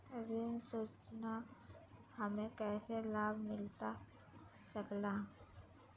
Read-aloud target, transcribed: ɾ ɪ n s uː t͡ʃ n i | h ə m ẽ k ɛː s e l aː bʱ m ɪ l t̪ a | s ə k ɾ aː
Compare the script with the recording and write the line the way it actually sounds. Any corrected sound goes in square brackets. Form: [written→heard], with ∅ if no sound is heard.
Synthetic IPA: ɾ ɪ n s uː t͡ʃ n [i→a] | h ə m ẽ k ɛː s e l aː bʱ m ɪ l t̪ a | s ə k [ɾ→l] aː